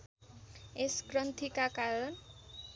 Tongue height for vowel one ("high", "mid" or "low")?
mid